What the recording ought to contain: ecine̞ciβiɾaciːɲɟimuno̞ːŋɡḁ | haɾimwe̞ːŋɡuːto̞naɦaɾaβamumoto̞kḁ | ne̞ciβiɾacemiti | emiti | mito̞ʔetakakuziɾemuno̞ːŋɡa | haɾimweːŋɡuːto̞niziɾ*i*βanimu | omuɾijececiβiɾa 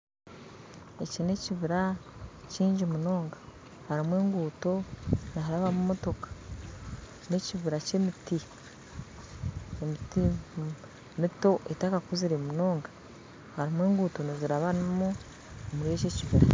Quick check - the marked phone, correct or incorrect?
incorrect